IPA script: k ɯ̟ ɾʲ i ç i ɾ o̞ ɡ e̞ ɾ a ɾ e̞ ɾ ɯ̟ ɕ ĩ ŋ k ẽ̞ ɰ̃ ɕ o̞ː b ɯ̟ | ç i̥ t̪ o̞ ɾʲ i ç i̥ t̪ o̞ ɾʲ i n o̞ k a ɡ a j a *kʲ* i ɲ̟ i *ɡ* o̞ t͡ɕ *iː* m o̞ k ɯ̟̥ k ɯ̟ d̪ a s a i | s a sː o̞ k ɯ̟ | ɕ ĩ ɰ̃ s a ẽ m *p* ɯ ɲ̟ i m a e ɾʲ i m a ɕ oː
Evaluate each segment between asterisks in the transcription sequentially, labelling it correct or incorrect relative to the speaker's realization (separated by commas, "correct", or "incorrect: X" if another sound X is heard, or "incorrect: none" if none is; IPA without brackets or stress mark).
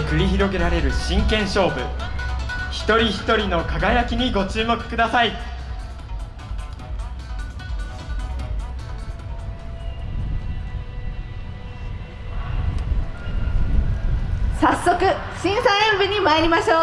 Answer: correct, correct, incorrect: ɨː, incorrect: b